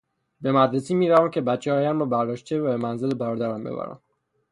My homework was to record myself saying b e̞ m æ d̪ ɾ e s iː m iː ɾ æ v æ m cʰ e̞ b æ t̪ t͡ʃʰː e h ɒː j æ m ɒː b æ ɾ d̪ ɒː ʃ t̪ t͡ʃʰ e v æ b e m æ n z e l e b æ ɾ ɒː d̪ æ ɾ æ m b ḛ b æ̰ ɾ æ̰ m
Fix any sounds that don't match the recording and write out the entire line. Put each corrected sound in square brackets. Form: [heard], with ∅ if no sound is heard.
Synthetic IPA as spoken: b e̞ m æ d̪ ɾ e s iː m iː ɾ æ v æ m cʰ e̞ b æ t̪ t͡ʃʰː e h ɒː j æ m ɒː b æ ɾ d̪ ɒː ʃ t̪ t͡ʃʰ e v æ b e m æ n z e l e b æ ɾ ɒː d̪ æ ɾ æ m b ḛ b æ̰ ɾ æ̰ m